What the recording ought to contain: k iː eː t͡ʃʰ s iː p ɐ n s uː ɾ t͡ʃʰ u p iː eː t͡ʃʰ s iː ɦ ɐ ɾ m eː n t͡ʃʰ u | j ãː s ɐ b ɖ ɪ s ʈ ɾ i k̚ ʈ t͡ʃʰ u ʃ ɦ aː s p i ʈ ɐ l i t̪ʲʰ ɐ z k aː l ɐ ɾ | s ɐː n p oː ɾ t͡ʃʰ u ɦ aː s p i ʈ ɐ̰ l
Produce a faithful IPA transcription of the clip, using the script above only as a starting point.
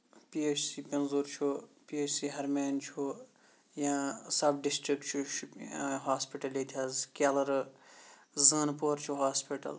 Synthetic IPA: p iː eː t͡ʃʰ s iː p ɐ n z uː ɾ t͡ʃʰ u p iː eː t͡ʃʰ s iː ɦ ɐ ɾ m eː n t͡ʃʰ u | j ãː s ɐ b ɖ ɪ s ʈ ɾ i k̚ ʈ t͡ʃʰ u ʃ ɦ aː s p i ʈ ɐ l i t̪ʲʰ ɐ z k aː l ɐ ɾ | z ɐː n p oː ɾ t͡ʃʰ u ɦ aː s p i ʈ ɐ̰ l